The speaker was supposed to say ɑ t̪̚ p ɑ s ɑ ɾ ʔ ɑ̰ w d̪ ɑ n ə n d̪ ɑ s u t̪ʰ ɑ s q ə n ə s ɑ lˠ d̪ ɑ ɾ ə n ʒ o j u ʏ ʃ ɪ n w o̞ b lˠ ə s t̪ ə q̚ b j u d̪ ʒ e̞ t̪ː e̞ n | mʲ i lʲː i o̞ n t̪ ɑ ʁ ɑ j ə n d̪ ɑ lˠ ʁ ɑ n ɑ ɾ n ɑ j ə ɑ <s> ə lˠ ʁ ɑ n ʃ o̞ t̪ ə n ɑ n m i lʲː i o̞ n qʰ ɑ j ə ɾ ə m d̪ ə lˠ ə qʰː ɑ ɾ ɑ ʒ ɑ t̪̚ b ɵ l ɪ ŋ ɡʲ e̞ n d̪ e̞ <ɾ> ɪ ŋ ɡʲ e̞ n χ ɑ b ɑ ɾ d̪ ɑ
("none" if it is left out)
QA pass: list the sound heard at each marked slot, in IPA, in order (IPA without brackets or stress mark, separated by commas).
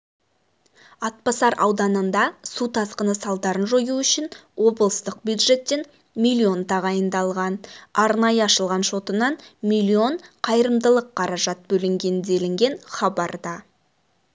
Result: ʃ, l